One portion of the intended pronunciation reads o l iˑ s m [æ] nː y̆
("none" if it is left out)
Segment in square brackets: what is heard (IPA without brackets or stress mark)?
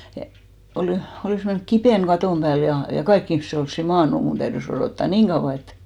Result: e